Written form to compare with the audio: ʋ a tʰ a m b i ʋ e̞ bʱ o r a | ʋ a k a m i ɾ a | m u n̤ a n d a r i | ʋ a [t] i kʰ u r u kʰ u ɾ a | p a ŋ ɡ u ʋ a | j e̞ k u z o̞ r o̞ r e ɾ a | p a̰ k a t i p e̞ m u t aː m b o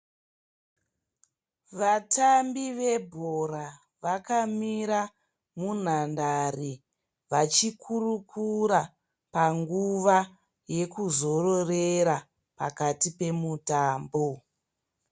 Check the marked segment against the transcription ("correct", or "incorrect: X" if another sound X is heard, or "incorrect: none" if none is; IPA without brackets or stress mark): incorrect: t͡ʃ